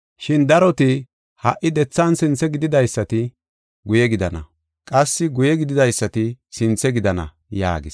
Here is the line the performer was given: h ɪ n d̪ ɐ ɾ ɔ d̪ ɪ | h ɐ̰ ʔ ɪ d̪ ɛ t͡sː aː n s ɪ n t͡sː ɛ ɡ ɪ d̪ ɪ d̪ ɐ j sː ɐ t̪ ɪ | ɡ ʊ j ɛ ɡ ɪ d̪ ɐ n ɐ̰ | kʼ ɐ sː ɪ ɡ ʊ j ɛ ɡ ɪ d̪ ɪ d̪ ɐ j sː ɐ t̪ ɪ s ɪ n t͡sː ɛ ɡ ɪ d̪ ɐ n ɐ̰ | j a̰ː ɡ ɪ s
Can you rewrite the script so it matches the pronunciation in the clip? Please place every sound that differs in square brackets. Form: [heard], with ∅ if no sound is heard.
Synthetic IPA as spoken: [ʃ] ɪ n d̪ ɐ ɾ ɔ [t̪] ɪ | h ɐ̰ ʔ ɪ d̪ ɛ t͡sː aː n s ɪ n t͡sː ɛ ɡ ɪ d̪ ɪ d̪ ɐ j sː ɐ t̪ ɪ | ɡ ʊ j ɛ ɡ ɪ d̪ ɐ n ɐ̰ | kʼ ɐ sː ɪ ɡ ʊ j ɛ ɡ ɪ d̪ ɪ d̪ ɐ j sː ɐ t̪ ɪ s ɪ n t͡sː ɛ ɡ ɪ d̪ ɐ n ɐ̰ | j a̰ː ɡ ɪ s